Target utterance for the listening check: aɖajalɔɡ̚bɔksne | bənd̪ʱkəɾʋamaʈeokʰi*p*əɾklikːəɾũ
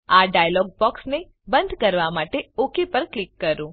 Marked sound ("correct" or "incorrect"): correct